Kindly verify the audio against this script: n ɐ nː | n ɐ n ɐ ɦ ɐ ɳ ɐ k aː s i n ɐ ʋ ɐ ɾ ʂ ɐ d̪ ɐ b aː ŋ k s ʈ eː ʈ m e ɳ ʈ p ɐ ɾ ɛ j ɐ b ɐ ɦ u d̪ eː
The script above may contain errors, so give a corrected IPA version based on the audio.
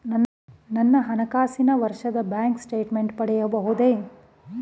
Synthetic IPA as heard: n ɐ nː | n ɐ nː ɐ ɦ ɐ n ɐ k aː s i n ɐ ʋ ɐ ɾ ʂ ɐ d̪ ɐ b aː ŋ k s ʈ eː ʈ m e ɳ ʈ p ɐ ɽ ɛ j ɐ b ɐ ɦ u d̪ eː